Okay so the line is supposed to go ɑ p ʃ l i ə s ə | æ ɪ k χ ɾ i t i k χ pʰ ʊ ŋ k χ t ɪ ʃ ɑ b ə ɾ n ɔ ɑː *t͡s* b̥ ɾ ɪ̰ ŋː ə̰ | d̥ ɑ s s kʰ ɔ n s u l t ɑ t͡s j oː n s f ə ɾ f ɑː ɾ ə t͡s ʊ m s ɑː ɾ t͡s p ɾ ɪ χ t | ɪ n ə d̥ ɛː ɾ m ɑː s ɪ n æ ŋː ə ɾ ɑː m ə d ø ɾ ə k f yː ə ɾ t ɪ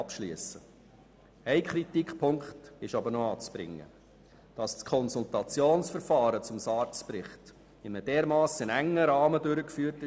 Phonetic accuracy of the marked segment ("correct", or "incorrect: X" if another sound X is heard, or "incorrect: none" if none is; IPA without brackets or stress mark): correct